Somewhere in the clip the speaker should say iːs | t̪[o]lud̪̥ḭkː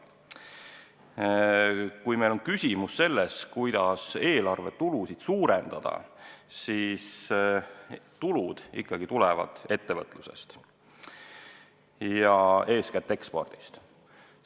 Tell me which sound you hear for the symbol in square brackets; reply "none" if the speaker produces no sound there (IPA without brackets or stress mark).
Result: u